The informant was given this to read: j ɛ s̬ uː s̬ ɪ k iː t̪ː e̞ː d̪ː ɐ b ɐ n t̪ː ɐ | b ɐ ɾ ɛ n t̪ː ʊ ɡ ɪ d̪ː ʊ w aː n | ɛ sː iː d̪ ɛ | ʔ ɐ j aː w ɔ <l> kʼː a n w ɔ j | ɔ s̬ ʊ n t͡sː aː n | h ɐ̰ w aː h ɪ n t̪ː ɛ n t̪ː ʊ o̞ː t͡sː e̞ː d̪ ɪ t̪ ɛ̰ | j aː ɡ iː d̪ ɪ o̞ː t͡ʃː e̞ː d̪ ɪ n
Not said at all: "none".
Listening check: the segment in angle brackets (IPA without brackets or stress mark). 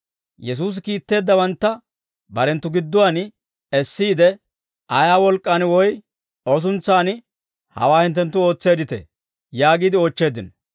l